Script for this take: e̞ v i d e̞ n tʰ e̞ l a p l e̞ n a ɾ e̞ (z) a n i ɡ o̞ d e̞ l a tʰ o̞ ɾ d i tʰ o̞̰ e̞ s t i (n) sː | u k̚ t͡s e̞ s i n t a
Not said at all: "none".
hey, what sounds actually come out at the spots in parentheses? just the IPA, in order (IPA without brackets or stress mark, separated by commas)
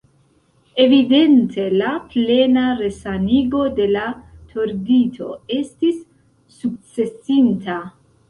s, none